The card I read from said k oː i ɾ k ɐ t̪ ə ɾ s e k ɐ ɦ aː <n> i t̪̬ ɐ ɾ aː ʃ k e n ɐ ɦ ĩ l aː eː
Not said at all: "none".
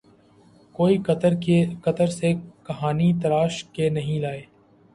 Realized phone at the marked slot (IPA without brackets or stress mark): n